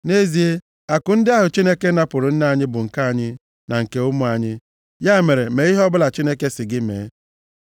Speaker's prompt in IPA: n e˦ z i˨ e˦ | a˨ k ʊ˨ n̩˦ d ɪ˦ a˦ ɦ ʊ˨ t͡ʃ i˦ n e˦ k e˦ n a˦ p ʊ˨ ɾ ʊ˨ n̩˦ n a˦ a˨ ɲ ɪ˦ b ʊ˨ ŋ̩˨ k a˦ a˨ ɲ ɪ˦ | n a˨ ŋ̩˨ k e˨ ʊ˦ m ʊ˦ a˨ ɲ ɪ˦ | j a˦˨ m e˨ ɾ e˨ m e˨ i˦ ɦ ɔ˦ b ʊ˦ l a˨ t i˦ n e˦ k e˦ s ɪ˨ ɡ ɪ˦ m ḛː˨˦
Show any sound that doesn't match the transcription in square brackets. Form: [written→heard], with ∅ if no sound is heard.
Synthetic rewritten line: n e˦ z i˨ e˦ | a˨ k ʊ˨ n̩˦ d ɪ˦ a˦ ɦ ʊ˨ t͡ʃ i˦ n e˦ k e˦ n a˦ p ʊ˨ ɾ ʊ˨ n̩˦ n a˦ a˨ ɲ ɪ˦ b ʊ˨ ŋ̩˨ k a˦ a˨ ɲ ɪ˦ | n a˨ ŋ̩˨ k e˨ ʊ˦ m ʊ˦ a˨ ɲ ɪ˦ | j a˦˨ m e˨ ɾ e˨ m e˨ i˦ ɦ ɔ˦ b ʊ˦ l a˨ [t→t͡ʃ] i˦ n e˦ k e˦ s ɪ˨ ɡ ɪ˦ m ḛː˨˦